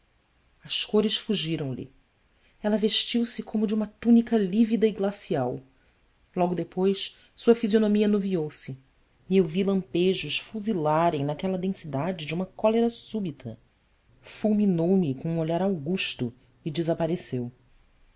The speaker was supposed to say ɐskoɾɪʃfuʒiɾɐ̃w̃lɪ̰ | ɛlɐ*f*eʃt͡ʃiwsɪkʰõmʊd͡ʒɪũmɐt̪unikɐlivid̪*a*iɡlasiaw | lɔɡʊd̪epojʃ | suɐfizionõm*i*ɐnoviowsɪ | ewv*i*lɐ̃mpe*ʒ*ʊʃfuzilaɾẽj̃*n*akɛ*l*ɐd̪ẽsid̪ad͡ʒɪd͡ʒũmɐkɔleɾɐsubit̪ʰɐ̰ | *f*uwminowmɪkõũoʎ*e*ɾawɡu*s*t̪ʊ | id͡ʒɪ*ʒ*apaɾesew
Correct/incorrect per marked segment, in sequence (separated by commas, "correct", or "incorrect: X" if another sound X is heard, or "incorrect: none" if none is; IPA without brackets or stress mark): incorrect: v, incorrect: ɐ, correct, correct, correct, correct, correct, correct, incorrect: a, incorrect: ʃ, incorrect: z